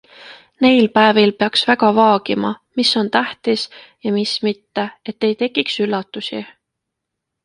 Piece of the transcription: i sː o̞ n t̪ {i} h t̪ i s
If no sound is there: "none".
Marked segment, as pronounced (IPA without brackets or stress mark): æ